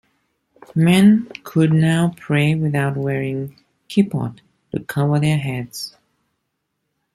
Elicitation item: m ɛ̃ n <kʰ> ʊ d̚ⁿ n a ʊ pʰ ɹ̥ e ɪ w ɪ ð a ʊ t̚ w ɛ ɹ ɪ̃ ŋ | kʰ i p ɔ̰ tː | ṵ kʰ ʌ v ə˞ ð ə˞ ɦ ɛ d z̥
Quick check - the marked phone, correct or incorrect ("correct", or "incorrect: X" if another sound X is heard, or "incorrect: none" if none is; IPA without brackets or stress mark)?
correct